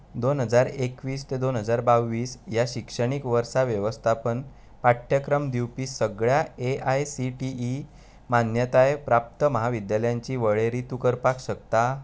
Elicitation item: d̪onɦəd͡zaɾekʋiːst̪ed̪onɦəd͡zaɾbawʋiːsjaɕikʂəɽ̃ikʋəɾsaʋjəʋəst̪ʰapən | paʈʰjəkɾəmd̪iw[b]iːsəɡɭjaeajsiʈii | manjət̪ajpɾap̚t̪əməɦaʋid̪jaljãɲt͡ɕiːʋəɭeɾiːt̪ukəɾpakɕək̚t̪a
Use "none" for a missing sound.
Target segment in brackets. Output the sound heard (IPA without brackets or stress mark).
p